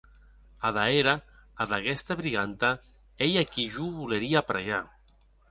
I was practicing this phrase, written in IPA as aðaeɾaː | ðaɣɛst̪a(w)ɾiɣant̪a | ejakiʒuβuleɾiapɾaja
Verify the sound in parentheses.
incorrect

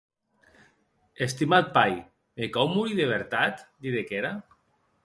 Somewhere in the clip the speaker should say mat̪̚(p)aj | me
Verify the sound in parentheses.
correct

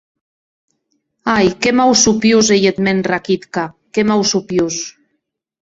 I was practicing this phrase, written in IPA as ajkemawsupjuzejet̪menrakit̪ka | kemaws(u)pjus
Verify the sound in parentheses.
correct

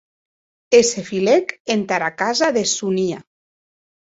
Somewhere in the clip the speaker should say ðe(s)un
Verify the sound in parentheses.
correct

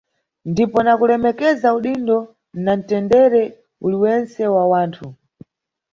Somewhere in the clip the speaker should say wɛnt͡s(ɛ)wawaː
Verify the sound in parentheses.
correct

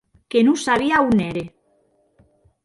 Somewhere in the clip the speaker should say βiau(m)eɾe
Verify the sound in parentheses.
incorrect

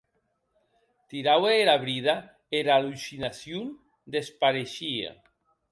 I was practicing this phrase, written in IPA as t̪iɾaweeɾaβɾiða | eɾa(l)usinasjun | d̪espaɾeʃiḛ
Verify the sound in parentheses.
correct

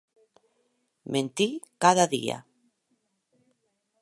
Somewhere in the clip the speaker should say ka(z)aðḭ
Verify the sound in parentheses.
incorrect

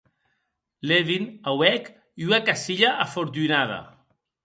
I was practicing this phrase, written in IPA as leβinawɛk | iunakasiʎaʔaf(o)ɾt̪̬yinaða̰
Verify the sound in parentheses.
correct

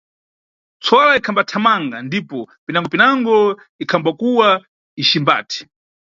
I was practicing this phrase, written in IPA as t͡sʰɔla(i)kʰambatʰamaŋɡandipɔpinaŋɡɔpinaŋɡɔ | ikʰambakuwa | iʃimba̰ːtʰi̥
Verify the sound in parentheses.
correct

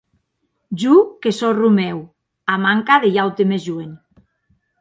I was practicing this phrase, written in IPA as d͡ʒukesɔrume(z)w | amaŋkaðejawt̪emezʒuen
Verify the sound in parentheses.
incorrect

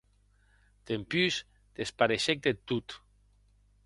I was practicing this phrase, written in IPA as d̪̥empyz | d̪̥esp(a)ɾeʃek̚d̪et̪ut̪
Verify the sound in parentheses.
correct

